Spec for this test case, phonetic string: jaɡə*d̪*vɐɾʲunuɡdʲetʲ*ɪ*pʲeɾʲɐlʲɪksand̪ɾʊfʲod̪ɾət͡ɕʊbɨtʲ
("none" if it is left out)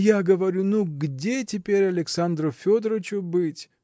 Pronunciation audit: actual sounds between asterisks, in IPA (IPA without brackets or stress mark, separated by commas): none, ɪ